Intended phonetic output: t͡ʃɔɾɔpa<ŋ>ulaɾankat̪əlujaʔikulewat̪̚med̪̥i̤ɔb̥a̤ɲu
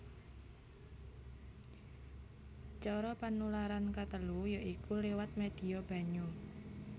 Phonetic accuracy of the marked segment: incorrect: n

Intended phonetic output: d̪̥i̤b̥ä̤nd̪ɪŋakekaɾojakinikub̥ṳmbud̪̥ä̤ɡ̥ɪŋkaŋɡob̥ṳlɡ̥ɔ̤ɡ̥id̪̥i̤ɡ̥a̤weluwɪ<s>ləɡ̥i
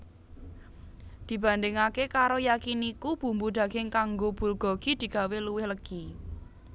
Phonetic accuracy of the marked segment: incorrect: h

